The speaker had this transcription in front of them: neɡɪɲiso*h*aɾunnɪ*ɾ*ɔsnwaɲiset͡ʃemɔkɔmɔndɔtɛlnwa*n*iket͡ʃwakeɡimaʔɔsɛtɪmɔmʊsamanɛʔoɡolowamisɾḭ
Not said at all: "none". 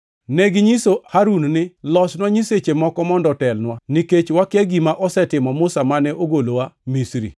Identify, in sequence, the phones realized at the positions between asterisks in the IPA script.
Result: h, l, n

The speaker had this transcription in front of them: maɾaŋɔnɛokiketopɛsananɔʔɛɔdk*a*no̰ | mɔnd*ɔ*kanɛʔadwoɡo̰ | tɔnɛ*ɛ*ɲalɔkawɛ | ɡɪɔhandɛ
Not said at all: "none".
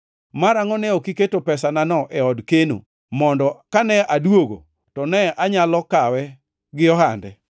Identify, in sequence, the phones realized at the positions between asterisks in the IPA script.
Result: e, ɔ, a

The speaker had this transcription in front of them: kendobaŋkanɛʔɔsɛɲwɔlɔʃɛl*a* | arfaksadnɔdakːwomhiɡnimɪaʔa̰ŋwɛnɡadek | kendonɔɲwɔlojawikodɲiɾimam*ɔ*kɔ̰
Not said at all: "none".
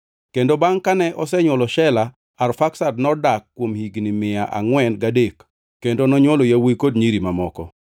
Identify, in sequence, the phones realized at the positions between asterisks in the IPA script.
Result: a, ɔ

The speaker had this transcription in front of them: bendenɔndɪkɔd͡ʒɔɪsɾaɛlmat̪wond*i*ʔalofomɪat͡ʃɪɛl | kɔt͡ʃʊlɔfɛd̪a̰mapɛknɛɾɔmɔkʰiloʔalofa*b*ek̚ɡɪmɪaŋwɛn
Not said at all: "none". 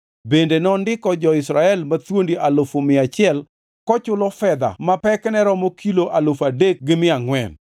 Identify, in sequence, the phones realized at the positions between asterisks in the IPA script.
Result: i, d

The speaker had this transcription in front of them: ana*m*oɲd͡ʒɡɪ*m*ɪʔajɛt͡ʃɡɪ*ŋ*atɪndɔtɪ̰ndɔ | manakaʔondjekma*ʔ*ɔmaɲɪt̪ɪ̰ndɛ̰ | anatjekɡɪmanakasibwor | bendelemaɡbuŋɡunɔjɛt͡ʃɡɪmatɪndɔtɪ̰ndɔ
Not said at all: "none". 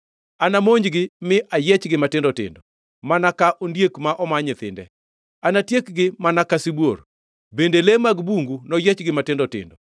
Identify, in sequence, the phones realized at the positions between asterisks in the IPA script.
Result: m, m, m, ʔ

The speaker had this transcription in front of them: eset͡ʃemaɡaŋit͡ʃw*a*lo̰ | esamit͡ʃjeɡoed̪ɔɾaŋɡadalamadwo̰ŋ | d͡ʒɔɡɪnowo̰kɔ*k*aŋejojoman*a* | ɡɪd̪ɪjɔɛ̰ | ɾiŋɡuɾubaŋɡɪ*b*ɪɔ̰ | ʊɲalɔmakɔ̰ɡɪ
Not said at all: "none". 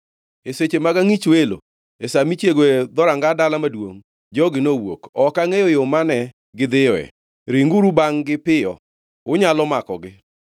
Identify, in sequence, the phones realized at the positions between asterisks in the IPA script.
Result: e, k, ɛ, p

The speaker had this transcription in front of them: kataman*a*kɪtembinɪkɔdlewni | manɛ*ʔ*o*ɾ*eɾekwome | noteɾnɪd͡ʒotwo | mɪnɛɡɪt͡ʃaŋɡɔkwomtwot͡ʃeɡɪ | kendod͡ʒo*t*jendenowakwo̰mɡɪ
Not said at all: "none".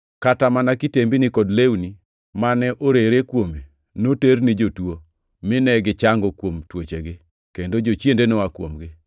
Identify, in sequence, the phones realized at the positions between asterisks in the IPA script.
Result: a, ʔ, ɾ, t͡ʃ

